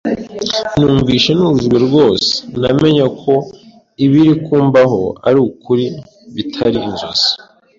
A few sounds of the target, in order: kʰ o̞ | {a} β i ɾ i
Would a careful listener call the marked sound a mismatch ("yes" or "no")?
yes